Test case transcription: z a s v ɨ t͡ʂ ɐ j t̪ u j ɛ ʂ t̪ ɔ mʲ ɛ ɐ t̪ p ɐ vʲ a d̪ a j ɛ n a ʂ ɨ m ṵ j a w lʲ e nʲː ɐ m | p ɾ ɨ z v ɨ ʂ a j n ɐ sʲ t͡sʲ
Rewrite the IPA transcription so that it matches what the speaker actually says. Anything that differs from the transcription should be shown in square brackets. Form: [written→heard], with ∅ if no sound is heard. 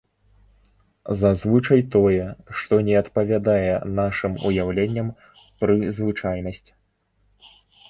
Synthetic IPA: z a [s→z] v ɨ t͡ʂ ɐ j t̪ [u→ɔ] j ɛ ʂ t̪ ɔ [mʲ→nʲ] ɛ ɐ t̪ p ɐ vʲ a d̪ a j ɛ n a ʂ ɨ m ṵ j a w lʲ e nʲː ɐ m | p ɾ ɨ z v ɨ [ʂ→t͡ʂ] a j n ɐ sʲ t͡sʲ